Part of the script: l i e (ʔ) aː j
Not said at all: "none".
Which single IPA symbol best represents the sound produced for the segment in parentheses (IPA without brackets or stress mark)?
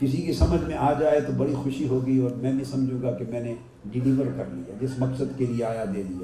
none